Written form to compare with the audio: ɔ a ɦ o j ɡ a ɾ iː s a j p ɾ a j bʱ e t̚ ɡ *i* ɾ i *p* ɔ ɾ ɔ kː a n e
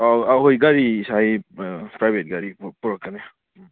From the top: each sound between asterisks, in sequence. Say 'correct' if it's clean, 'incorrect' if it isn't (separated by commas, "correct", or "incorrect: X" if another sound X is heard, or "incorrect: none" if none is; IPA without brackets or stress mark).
incorrect: a, correct